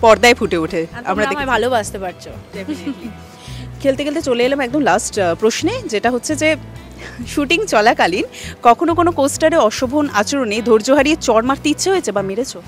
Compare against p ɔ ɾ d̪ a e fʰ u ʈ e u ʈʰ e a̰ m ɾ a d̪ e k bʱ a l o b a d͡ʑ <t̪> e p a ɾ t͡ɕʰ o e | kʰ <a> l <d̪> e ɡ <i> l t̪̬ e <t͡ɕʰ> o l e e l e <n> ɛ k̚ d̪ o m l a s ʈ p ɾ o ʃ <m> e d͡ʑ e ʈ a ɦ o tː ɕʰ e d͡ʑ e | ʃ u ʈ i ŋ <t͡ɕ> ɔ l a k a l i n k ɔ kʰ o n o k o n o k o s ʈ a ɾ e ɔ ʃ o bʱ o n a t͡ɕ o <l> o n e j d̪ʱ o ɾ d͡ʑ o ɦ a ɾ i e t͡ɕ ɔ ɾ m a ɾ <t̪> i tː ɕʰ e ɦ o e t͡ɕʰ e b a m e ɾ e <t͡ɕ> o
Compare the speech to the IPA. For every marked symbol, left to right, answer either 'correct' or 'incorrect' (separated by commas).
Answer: correct, incorrect, incorrect, incorrect, incorrect, incorrect, incorrect, correct, incorrect, correct, incorrect